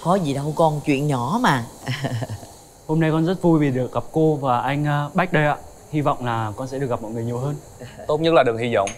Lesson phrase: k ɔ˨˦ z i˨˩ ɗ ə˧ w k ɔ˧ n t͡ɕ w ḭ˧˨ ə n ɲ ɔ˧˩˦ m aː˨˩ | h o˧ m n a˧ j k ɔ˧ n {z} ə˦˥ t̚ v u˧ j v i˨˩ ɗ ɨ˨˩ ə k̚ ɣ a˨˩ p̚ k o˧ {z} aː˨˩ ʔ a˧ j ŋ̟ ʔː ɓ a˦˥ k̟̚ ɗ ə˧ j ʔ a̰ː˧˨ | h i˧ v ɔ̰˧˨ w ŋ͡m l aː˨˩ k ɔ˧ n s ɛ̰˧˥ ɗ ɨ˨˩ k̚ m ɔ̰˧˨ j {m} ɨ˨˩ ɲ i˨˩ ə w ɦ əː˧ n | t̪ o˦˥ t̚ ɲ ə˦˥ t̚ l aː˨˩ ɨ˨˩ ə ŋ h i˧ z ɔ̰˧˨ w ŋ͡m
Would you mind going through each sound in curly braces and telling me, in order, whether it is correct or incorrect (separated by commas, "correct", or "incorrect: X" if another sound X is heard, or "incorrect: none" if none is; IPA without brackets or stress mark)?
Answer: correct, incorrect: v, incorrect: ŋ